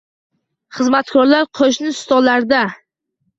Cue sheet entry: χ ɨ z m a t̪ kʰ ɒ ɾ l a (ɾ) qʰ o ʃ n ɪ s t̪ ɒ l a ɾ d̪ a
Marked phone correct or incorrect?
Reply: correct